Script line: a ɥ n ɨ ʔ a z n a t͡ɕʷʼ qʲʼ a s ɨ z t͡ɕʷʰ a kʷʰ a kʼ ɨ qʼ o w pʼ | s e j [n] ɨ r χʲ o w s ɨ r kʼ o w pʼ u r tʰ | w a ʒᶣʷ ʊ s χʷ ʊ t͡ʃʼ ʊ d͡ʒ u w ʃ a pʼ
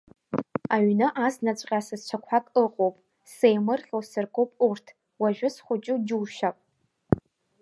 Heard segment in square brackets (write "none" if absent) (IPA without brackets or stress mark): m